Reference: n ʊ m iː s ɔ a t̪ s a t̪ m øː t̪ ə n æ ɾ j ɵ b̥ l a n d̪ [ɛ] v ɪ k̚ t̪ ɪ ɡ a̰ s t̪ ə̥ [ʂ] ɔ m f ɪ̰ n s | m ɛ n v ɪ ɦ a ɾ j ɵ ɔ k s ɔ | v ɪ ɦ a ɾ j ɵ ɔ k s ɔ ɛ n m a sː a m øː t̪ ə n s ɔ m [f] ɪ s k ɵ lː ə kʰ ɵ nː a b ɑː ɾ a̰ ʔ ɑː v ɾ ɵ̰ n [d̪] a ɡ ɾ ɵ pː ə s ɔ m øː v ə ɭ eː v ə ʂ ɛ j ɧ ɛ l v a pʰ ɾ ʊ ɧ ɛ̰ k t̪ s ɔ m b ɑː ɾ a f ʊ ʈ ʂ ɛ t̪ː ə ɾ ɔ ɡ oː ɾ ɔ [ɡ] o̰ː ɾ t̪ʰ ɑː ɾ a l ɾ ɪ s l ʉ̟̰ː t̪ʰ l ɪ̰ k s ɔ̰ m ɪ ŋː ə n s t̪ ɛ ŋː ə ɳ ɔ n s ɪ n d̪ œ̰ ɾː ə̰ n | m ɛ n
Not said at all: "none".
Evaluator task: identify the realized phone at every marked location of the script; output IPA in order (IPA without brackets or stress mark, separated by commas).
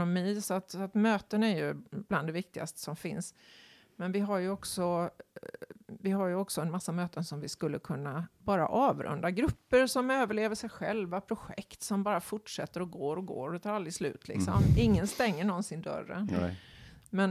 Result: ɛ, s, v, d̪, ɡ